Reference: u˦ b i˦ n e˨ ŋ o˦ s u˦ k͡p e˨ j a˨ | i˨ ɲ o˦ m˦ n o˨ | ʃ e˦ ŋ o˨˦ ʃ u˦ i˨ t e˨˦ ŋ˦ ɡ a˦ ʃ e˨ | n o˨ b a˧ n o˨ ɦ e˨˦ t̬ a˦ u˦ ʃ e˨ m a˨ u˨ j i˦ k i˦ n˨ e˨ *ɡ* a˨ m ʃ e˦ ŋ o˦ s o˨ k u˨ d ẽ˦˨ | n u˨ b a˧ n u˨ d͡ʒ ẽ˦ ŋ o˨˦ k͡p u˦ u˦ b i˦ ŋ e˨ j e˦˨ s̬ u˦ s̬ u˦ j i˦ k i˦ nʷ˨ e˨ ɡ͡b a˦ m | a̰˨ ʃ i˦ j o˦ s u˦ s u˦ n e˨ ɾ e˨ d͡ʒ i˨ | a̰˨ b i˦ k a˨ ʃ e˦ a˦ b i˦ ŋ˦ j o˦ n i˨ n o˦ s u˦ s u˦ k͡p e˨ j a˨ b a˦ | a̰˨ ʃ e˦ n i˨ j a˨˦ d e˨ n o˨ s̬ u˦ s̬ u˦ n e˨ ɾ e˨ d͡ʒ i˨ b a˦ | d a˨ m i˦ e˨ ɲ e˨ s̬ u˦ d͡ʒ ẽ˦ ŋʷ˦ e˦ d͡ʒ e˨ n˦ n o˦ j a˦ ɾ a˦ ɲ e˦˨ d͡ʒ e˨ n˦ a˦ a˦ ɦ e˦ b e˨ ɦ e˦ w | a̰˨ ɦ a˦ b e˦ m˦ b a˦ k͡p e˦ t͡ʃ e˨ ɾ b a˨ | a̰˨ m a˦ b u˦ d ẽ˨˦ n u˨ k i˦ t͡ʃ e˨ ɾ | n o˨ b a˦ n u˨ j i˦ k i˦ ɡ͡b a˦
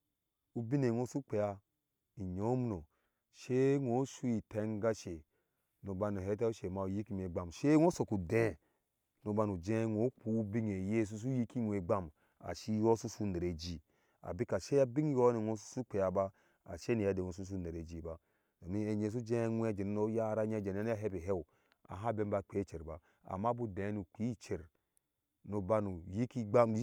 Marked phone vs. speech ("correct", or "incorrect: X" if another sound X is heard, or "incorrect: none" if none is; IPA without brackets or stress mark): incorrect: ɡ͡b